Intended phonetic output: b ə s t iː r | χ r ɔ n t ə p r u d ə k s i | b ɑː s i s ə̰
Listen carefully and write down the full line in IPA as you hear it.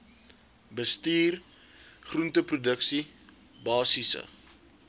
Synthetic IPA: b ə s t iː r | χ r u n t ə p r u d ə k s i | b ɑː s i s ə̰